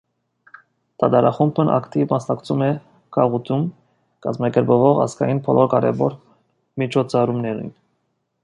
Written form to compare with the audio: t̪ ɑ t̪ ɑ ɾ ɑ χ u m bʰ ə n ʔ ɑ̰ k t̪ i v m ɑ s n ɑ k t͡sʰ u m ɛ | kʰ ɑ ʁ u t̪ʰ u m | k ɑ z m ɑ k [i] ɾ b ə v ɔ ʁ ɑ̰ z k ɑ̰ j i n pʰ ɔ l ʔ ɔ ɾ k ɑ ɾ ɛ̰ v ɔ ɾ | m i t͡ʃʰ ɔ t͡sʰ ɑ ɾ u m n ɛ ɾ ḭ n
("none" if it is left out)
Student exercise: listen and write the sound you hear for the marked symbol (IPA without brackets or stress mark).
ɛ